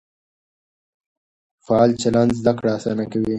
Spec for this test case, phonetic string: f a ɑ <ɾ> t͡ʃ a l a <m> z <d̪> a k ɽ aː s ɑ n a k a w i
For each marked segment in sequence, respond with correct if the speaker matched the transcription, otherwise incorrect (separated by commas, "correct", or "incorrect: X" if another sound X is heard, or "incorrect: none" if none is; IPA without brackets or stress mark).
incorrect: l, incorrect: n, correct